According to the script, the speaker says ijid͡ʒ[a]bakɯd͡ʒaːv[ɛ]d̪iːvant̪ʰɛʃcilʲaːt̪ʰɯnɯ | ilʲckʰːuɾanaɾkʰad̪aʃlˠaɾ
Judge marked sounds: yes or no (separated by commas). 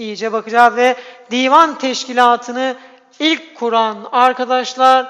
no, yes